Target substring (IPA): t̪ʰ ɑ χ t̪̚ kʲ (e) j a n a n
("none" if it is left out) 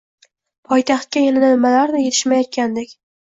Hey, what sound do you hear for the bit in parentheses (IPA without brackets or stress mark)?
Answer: a